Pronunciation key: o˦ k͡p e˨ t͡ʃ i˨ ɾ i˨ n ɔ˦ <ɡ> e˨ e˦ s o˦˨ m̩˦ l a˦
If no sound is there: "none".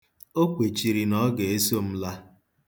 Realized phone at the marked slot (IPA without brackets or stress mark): ɡ